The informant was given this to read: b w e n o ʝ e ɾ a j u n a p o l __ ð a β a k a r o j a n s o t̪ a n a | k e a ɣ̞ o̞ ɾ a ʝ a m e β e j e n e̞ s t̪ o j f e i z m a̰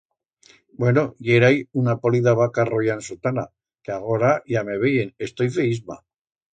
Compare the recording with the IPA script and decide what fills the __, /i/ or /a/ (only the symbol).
i